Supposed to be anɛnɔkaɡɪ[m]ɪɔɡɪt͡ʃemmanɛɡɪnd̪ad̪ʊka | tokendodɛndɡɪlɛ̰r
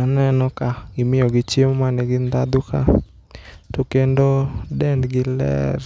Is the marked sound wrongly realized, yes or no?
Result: no